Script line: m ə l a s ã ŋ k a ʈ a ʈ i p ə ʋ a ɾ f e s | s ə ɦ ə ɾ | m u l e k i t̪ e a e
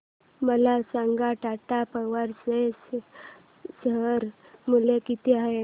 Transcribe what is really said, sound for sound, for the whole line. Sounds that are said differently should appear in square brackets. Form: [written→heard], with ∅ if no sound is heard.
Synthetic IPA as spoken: m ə l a s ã ŋ [k→ɡ] a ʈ a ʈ [i→a] p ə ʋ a ɾ [f→s] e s | s ə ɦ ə ɾ | m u l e k i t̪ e a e